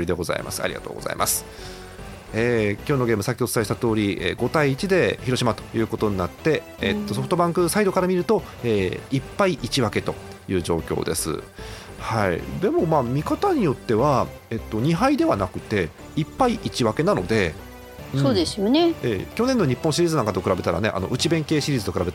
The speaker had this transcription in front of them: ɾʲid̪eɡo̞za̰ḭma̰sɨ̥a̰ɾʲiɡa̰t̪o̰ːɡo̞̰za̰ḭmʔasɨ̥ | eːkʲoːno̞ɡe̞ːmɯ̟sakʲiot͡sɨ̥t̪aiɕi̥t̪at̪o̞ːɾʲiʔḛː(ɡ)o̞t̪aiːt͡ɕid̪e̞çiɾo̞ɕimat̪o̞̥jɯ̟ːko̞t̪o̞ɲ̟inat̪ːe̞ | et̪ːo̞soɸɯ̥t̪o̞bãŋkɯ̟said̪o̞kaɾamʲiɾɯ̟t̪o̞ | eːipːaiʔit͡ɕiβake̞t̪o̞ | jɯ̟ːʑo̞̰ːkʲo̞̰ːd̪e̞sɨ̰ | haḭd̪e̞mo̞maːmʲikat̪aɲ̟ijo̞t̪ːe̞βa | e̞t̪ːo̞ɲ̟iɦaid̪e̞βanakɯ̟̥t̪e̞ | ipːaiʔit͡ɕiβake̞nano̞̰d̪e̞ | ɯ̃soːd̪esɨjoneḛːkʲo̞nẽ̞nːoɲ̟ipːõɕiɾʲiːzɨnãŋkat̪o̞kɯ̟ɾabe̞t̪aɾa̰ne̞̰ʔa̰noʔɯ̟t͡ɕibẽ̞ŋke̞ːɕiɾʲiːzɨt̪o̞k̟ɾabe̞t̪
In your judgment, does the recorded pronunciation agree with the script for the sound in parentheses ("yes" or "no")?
yes